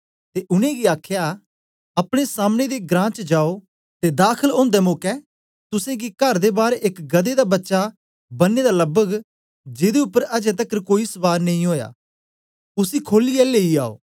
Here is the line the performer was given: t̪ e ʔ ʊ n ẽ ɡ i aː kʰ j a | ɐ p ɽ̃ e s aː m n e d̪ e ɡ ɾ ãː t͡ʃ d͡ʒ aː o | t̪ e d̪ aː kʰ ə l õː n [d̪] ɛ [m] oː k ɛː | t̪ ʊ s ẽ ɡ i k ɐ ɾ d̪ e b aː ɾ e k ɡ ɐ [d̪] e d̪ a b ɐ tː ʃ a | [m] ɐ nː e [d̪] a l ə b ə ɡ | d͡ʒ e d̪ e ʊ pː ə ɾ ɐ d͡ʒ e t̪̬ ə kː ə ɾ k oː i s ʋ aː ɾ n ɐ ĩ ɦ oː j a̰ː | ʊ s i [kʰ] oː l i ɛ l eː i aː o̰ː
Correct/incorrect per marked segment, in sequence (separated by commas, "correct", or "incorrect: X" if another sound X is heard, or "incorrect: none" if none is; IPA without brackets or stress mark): correct, correct, correct, incorrect: b, correct, correct